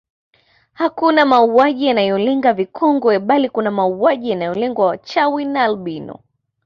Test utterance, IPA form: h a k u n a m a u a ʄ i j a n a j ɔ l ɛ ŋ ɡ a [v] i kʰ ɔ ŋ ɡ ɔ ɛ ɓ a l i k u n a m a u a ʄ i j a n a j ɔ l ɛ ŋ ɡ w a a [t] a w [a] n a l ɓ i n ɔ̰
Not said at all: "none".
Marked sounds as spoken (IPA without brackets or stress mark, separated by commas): v, t͡ʃ, i